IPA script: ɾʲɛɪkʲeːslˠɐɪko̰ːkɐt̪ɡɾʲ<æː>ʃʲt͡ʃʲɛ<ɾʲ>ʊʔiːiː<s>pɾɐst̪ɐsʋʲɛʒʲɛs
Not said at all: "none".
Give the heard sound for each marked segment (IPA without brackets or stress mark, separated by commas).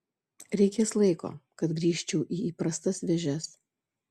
iː, none, none